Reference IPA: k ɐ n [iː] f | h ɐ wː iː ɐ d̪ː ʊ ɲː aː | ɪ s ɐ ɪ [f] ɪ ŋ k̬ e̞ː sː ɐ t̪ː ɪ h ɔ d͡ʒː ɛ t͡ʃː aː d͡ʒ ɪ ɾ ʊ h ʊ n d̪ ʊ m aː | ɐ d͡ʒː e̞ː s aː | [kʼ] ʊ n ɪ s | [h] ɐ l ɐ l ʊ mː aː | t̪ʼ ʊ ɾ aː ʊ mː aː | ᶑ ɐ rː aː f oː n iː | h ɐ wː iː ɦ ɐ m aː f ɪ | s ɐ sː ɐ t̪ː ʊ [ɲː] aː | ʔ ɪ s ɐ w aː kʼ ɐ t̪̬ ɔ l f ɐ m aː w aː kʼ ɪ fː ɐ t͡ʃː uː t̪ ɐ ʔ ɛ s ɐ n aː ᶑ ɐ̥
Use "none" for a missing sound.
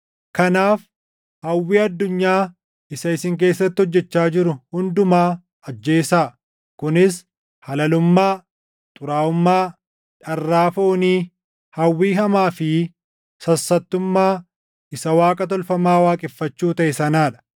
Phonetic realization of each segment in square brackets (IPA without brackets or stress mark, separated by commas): aː, s, k, h, mː